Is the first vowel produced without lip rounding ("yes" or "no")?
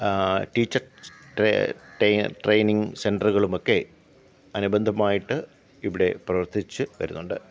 yes